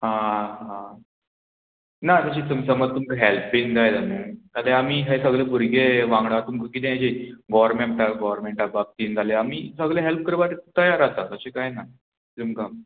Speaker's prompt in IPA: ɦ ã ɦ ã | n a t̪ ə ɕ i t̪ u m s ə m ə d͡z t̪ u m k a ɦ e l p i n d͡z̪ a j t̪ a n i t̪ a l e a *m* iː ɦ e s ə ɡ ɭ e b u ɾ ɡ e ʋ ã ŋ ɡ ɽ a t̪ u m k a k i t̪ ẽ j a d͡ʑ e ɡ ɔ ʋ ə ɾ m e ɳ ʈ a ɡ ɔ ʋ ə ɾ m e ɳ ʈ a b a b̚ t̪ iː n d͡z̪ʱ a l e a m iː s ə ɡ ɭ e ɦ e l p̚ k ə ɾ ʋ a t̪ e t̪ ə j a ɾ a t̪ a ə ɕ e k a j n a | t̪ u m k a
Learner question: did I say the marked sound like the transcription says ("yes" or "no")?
yes